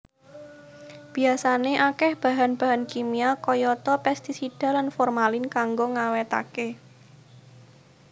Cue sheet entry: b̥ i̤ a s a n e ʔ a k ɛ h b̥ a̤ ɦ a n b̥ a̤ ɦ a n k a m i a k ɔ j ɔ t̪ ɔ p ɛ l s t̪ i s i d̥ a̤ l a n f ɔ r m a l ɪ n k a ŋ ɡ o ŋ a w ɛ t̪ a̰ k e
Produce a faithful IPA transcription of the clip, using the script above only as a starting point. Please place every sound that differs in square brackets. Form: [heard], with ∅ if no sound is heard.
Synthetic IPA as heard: b̥ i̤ a s a n e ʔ a k ɛ h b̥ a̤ ɦ a n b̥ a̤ ɦ a n k [i] m i a k ɔ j ɔ t̪ ɔ p ɛ [∅] s t̪ i s i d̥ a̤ l a n f ɔ r m a l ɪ n k a ŋ ɡ o ŋ a w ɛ t̪ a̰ k e